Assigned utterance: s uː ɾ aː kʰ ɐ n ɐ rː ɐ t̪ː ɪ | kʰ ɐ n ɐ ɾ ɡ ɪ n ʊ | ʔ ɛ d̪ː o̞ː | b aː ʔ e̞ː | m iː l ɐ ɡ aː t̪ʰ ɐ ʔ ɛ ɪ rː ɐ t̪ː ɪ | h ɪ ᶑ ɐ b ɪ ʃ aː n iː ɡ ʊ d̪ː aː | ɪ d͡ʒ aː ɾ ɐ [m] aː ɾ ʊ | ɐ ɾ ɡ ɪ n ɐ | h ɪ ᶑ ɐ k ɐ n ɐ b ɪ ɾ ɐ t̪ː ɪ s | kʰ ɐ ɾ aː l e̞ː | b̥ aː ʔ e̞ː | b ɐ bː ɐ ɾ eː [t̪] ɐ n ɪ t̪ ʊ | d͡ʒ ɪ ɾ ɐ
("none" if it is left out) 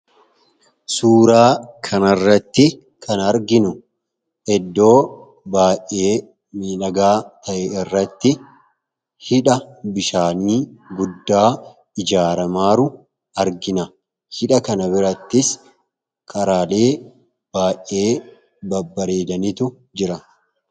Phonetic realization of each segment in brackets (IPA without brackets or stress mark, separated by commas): m, d̪